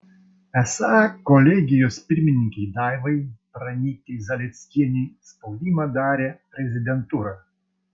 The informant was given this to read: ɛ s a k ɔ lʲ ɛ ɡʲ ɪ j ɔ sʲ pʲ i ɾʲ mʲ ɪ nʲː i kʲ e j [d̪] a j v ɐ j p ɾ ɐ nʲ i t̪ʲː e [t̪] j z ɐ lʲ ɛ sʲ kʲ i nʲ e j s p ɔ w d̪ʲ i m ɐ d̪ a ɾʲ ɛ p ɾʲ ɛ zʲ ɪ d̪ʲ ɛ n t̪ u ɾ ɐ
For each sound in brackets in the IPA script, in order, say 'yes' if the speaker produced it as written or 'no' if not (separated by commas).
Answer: yes, no